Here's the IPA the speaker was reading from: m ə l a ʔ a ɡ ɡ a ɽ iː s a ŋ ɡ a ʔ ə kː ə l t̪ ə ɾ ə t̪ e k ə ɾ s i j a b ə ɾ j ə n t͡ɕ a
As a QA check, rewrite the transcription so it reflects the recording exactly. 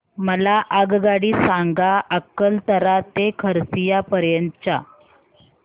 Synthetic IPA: m ə l a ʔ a ɡ ɡ a ɽ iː s a ŋ ɡ a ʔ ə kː ə l t̪ ə ɾ a t̪ e kʰ ə ɾ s i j a p ə ɾ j ə n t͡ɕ a